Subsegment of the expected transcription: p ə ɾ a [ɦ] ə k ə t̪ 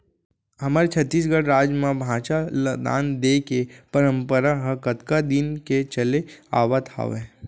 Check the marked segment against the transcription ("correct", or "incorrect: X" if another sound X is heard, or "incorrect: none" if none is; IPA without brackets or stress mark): correct